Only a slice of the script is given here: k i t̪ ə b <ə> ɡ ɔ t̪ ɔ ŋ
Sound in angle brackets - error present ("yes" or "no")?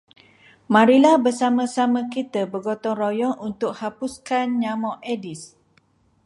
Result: no